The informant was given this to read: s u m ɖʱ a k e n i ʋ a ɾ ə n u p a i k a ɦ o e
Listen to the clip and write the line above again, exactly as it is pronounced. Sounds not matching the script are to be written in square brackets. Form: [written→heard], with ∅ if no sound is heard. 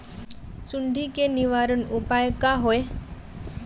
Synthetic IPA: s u [m→ɳ] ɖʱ [a→i] k e n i ʋ a ɾ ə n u p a [i→j] k a ɦ o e